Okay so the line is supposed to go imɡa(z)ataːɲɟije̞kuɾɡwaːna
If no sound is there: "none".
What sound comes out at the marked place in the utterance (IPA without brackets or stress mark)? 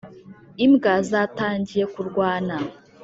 z